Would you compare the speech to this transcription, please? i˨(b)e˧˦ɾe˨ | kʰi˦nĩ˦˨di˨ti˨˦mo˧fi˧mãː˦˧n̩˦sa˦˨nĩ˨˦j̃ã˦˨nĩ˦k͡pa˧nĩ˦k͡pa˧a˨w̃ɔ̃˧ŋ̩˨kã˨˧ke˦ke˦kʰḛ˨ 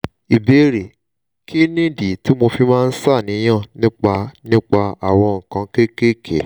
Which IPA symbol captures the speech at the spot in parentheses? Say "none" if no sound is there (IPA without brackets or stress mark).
b